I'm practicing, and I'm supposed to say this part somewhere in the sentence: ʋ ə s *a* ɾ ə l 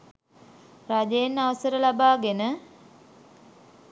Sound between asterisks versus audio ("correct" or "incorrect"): incorrect